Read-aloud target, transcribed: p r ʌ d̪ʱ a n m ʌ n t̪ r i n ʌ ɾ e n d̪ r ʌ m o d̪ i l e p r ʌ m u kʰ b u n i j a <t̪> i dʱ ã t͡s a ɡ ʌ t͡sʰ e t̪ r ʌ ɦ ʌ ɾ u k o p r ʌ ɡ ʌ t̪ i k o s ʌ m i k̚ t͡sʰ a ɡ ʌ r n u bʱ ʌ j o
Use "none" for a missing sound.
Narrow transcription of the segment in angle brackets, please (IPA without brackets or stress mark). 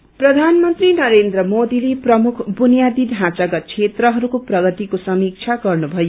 d̪